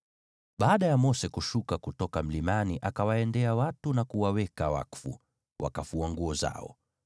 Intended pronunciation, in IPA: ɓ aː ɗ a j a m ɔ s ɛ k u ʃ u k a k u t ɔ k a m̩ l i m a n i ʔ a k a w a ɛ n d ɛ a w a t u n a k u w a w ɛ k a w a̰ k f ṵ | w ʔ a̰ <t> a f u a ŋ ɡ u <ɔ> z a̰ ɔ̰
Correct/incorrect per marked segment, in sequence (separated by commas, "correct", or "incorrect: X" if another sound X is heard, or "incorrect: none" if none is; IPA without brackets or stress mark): incorrect: k, correct